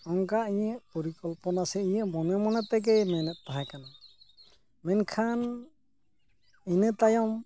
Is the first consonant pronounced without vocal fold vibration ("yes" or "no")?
no